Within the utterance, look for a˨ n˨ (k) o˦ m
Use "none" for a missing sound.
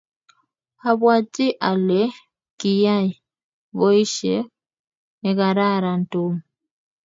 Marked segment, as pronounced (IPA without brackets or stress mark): t